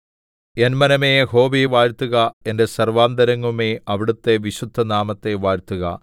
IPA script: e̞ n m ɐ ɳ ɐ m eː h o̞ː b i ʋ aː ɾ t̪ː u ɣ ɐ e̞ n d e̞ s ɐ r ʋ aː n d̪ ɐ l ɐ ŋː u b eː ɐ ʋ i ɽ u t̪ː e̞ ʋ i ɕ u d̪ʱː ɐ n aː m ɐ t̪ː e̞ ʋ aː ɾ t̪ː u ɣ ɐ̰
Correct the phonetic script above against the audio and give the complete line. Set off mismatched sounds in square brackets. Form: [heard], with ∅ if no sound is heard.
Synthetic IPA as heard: e̞ n m ɐ [n] ɐ m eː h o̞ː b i ʋ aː ɾ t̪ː u ɣ ɐ e̞ n d e̞ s ɐ r ʋ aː n d̪ ɐ [ɾ] ɐ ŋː u [m] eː ɐ ʋ i ɽ u t̪ː e̞ ʋ i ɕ u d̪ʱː ɐ n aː m ɐ t̪ː e̞ ʋ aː ɾ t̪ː u ɣ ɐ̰